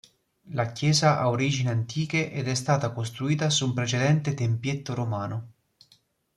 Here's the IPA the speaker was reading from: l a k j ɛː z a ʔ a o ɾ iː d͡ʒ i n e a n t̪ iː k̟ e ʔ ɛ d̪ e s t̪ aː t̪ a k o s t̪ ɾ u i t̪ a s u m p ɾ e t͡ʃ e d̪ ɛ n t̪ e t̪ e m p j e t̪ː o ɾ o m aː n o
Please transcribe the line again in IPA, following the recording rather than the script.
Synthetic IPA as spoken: l a k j ɛː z a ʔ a o ɾ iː d͡ʒ i n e a n t̪ iː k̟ e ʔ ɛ d̪ ɛ s t̪ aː t̪ a k o s t̪ ɾ u iː t̪ a s u m p ɾ e t͡ʃ e d̪ ɛ n t̪ e t̪ e m p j e t̪ː o ɾ o m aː n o